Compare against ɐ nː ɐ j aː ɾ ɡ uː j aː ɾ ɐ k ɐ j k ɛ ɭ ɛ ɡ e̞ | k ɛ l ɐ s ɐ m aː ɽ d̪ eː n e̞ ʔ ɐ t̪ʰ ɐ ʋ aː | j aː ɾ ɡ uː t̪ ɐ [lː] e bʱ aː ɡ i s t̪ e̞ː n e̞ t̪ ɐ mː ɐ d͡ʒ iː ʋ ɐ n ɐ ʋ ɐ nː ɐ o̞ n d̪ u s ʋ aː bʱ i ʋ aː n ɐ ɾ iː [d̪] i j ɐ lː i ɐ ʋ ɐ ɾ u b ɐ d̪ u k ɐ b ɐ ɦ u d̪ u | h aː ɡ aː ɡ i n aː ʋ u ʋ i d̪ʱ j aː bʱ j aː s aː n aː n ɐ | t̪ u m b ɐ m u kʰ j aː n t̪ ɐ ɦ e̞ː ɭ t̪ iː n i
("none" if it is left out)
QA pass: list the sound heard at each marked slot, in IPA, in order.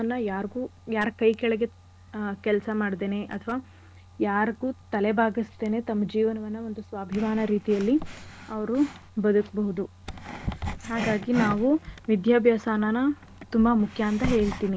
l, t̪

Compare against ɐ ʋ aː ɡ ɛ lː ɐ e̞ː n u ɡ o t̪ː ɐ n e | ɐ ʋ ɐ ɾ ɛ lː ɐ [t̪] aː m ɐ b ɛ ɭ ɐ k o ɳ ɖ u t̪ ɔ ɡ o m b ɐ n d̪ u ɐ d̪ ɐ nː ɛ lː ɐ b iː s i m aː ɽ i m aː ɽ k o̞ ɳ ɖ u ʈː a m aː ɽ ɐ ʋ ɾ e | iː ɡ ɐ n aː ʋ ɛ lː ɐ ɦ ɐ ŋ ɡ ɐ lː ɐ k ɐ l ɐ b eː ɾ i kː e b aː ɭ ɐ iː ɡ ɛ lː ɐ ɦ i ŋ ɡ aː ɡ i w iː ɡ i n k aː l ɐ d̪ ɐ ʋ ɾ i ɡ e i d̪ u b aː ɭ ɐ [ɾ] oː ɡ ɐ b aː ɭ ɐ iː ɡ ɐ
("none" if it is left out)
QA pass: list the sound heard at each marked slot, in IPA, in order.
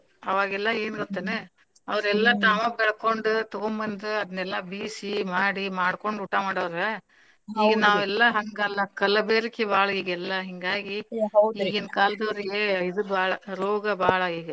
t̪, ɾ

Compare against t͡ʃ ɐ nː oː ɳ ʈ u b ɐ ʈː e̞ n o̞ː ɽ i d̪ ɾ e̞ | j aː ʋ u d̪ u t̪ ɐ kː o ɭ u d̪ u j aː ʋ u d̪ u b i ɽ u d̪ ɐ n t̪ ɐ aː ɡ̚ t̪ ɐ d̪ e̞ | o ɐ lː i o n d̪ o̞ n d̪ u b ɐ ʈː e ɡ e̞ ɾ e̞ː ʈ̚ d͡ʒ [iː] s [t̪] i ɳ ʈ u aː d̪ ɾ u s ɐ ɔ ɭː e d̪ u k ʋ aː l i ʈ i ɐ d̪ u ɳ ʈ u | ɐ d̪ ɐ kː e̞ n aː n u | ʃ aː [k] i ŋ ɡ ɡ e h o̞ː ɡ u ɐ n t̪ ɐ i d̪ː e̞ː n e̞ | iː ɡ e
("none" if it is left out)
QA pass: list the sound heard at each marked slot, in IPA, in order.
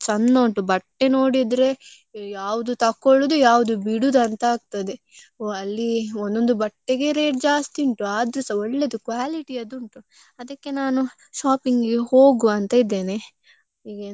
aː, t̪, p

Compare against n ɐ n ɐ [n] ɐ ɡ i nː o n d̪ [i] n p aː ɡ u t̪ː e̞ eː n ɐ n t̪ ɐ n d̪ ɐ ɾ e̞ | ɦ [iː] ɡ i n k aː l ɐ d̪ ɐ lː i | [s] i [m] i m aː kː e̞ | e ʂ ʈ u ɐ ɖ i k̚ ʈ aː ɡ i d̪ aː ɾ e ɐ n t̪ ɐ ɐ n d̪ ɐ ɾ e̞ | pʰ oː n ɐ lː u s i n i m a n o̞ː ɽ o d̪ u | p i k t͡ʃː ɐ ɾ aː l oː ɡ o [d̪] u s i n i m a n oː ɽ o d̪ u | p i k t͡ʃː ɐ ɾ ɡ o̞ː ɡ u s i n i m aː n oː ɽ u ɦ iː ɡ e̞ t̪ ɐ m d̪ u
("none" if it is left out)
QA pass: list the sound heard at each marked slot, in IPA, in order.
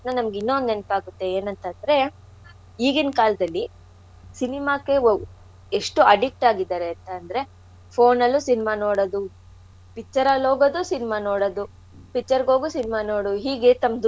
m, e, iː, s, n, d̪

